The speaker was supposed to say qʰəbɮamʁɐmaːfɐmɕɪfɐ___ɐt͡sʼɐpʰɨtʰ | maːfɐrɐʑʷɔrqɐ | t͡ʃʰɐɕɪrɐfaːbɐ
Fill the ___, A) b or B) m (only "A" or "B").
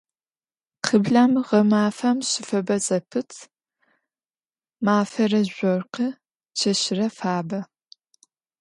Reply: A